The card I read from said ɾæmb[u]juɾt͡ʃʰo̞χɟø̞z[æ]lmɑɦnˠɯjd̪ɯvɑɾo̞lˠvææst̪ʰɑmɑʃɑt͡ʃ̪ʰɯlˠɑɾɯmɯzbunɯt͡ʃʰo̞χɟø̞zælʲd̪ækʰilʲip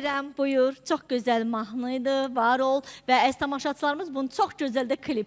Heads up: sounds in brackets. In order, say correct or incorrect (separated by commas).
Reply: correct, correct